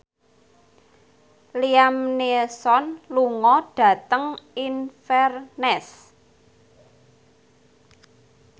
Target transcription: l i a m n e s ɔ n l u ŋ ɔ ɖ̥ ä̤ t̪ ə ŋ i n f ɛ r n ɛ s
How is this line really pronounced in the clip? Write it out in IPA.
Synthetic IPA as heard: l i a m n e s ɔ n l u ŋ ɔ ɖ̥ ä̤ t̪ ə ŋ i n f ɛ r n ɛ s